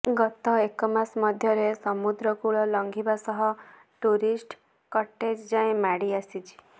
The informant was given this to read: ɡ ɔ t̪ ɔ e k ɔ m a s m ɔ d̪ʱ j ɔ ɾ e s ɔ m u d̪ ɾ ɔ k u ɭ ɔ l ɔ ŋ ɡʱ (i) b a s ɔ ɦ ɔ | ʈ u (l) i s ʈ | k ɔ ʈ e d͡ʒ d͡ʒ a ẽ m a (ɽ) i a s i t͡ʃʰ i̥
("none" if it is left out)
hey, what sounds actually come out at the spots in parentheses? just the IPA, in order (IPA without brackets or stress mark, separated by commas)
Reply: i, ɾ, ɽ